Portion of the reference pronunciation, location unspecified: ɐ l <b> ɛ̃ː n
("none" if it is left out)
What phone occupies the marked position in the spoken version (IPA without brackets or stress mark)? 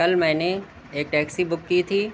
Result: m